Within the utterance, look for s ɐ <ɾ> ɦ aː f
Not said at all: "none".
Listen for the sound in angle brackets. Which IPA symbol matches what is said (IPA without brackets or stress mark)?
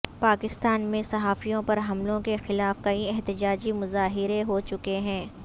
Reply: none